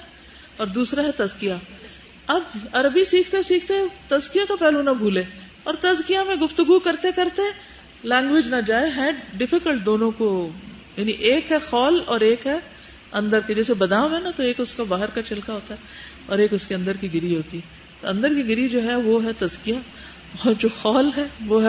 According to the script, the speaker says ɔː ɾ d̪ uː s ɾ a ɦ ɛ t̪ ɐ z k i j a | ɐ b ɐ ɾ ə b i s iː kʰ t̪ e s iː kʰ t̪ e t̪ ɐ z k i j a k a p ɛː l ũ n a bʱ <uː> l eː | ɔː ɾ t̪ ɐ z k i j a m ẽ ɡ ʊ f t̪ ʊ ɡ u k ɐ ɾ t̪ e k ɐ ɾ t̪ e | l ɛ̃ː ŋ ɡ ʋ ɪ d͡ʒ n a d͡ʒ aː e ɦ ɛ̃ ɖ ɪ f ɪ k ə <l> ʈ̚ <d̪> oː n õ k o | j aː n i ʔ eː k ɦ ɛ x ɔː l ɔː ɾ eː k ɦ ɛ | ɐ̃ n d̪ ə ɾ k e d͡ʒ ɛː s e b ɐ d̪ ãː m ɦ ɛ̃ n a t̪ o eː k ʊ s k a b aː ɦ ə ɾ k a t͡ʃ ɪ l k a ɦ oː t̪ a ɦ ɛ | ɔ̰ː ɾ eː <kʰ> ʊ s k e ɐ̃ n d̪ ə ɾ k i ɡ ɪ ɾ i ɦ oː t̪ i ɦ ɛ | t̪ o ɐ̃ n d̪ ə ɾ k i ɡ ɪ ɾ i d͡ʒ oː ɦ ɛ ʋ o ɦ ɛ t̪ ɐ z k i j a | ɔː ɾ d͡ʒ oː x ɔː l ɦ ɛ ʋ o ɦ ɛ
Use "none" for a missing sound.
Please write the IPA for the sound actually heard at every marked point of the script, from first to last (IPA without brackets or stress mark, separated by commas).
uː, l, d̪, k